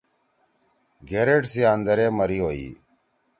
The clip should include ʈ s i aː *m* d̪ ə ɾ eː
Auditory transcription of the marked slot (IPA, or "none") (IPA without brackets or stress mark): n